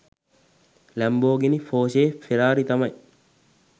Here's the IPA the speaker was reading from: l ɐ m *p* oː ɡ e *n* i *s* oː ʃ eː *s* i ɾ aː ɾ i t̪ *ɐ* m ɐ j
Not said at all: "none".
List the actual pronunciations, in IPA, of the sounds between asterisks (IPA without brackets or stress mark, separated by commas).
b, n, f, f, ɐ